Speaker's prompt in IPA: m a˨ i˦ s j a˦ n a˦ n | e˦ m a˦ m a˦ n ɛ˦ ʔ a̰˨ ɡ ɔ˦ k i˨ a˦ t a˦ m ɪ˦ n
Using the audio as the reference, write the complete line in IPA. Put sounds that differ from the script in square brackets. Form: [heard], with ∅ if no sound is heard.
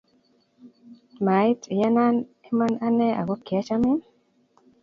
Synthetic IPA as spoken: m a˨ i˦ [t] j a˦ n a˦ n | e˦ m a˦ [n] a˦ n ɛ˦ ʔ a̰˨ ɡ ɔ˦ k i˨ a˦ [t͡ʃ] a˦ m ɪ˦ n